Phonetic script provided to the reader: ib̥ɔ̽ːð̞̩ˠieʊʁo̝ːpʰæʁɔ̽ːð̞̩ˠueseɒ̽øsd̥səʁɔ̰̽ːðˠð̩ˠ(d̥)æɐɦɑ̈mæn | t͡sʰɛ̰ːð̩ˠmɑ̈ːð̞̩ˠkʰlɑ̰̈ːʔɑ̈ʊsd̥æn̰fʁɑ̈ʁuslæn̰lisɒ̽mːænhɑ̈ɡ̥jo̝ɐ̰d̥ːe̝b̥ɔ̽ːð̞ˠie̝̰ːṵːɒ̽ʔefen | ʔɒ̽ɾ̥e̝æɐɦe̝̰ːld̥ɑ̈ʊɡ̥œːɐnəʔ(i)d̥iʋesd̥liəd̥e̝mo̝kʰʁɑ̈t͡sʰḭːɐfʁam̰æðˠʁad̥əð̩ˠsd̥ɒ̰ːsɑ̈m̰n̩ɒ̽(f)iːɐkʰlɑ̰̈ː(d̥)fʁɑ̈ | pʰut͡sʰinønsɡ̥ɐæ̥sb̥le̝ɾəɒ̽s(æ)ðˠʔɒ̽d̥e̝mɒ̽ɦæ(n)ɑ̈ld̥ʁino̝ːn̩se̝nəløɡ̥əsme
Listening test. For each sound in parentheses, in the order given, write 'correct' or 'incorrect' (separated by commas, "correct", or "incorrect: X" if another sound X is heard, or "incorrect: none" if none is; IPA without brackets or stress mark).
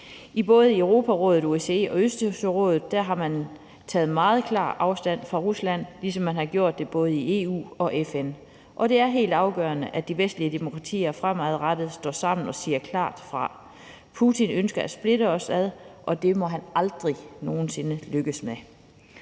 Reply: correct, incorrect: æ, incorrect: s, correct, correct, correct